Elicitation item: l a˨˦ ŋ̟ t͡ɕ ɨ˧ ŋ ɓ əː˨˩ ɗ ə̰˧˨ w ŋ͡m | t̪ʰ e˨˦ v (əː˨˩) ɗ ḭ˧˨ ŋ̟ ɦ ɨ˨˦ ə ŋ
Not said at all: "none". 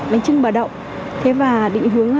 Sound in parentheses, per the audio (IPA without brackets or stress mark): aː˨˩